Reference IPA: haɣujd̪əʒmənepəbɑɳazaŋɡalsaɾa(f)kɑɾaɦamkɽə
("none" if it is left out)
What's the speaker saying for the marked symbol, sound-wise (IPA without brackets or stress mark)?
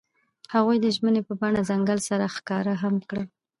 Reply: x